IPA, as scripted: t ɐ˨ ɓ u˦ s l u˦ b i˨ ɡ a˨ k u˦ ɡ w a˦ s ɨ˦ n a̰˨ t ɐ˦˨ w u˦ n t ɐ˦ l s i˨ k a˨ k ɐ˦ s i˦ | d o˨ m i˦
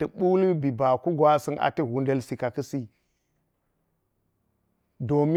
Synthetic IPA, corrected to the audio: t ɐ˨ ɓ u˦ l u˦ b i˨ b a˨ k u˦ ɡ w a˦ s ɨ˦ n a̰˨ t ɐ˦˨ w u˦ n d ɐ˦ l s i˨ k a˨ k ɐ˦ s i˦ | d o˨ m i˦